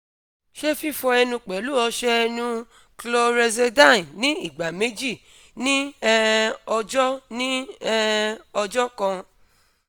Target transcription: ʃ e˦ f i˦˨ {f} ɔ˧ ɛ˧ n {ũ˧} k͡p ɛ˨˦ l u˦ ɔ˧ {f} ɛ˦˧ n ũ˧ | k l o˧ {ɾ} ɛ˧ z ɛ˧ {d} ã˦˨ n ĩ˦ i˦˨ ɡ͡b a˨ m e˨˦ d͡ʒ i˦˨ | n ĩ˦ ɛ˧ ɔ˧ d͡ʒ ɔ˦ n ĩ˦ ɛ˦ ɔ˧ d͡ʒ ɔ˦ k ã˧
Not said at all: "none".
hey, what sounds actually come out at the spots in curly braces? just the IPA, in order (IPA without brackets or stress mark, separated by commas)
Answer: f, ũ˧, ʃ, ɾ, d